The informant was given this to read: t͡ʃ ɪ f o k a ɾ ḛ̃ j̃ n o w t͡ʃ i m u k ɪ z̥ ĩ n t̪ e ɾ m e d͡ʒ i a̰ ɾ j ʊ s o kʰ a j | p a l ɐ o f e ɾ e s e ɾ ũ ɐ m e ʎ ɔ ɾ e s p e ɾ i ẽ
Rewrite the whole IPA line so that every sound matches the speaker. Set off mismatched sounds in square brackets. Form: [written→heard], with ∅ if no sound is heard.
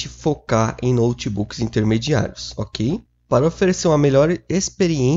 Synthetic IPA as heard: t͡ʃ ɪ f o k a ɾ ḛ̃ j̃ n o w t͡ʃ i [m→b] u k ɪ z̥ ĩ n t̪ e ɾ m e d͡ʒ i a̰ ɾ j ʊ s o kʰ [a→e] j | p a [l→ɾ] ɐ o f e ɾ e s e ɾ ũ ɐ m e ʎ ɔ ɾ e s p e ɾ i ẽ